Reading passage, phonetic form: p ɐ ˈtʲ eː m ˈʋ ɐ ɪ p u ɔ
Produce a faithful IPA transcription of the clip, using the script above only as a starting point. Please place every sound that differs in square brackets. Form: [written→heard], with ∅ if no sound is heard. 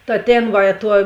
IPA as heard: [p→t] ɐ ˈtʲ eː [m→n] ˈʋ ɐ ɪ [p→t] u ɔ